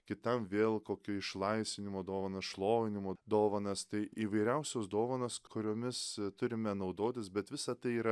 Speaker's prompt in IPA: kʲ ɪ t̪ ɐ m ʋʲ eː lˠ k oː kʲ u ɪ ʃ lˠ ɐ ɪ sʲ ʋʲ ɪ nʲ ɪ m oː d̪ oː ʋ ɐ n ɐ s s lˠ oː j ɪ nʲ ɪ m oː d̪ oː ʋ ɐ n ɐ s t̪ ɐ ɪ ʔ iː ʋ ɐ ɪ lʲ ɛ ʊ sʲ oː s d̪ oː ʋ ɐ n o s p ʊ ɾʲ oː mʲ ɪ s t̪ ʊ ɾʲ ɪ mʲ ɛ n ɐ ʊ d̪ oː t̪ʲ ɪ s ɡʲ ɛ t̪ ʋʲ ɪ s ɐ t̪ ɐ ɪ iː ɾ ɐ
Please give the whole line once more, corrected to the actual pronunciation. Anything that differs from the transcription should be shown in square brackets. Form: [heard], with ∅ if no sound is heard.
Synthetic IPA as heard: kʲ ɪ t̪ ɐ m ʋʲ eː lˠ k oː kʲ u ɪ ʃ lˠ ɐ ɪ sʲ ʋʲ ɪ nʲ ɪ m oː d̪ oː ʋ ɐ n ɐ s [ʃ] lˠ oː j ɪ nʲ ɪ m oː d̪ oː ʋ ɐ n ɐ s t̪ ɐ ɪ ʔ iː ʋ ɐ ɪ [ɾʲ] ɛ ʊ sʲ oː s d̪ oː ʋ ɐ n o s [k] ʊ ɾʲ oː mʲ ɪ s t̪ ʊ ɾʲ ɪ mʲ ɛ n ɐ ʊ d̪ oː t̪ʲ ɪ s [bʲ] ɛ t̪ ʋʲ ɪ s ɐ t̪ ɐ ɪ iː ɾ ɐ